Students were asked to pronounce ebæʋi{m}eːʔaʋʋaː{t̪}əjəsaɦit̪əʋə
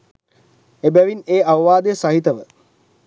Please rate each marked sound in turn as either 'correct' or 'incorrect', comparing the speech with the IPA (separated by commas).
incorrect, incorrect